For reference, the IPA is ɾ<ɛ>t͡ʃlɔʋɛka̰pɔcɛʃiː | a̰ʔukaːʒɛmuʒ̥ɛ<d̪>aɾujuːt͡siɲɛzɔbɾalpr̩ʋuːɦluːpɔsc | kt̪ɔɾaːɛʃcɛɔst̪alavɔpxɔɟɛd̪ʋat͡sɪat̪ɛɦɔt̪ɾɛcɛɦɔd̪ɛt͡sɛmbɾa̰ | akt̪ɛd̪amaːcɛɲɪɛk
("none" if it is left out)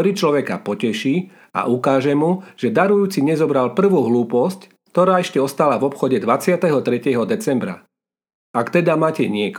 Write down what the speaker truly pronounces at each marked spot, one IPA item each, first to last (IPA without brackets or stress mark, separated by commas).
i, d̪